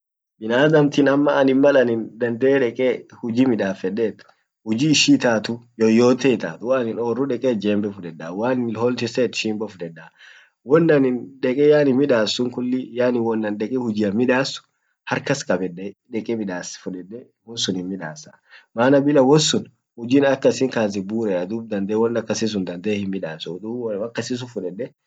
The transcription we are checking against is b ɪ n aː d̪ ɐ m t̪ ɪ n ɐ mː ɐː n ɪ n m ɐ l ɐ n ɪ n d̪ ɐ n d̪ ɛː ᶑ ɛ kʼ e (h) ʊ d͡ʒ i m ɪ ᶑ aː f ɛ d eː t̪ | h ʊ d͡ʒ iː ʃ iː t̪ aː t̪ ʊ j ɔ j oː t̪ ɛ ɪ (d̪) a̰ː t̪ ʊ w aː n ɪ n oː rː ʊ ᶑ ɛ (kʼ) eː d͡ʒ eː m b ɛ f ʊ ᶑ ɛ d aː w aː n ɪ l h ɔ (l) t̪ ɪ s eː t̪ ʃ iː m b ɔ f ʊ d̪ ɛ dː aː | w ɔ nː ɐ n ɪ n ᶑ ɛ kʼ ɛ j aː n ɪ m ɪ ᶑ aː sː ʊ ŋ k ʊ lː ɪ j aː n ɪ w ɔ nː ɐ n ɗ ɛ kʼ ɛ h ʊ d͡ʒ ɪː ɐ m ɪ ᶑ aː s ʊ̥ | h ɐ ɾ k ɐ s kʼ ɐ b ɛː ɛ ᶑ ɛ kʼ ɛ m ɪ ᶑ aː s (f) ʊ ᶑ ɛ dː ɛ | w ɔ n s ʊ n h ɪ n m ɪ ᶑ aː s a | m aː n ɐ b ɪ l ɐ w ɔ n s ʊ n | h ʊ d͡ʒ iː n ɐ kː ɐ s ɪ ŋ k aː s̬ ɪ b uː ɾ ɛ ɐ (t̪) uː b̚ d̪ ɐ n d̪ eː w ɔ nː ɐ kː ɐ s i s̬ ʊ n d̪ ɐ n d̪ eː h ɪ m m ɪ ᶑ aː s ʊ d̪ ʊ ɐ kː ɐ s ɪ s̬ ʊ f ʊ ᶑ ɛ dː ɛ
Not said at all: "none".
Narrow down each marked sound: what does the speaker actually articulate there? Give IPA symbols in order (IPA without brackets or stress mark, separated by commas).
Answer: h, t̪, kʼ, l, f, d̪